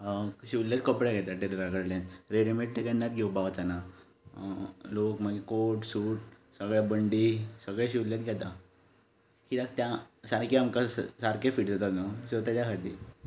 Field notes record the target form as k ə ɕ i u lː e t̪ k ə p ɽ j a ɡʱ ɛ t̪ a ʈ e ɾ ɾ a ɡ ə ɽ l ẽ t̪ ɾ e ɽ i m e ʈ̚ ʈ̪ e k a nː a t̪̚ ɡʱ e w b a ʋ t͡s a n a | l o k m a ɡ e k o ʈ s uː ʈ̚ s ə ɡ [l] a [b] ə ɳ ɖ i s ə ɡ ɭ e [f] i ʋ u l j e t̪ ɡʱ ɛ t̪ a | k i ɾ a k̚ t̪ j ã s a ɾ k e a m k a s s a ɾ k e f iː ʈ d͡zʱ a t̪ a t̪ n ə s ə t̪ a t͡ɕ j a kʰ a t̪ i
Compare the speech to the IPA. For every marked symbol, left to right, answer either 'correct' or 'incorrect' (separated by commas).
incorrect, correct, incorrect